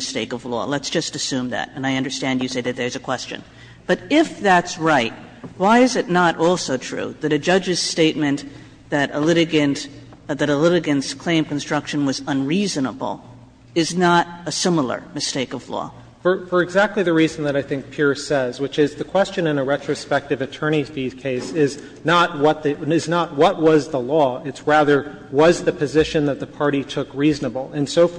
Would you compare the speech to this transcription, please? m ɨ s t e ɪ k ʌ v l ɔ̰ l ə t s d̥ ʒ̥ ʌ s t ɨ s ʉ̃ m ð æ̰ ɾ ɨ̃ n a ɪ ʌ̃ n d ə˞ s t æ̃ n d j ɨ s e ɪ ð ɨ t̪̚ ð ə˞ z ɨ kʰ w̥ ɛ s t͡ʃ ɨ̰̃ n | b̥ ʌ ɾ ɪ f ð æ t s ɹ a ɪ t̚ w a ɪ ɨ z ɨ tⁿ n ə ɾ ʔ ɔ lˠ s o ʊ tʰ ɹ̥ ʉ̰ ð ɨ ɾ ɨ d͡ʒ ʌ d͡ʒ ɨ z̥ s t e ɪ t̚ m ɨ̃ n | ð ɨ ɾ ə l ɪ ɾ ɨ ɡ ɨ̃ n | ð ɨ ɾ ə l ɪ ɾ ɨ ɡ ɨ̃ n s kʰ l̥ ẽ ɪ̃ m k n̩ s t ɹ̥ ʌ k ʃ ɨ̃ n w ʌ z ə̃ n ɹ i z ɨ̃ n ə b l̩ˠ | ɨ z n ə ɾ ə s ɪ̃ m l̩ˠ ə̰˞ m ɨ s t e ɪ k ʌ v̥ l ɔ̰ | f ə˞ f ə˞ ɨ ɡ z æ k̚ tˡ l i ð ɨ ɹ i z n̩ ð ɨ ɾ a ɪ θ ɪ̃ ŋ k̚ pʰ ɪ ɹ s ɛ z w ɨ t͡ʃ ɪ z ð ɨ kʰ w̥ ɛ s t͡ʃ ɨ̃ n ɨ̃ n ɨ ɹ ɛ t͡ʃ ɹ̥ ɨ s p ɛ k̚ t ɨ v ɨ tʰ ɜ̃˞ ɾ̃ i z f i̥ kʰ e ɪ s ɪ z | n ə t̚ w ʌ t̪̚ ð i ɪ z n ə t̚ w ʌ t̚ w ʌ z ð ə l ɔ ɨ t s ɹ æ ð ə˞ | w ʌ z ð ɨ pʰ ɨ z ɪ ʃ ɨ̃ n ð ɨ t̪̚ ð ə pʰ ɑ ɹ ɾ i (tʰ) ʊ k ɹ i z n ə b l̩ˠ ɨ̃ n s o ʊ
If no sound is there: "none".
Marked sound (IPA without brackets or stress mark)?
tʰ